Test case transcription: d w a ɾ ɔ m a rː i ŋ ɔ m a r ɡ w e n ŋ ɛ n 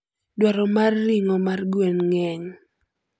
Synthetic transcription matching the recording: d w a ɾ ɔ m a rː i ŋ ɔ m a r ɡ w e n ŋ ɛ ɲ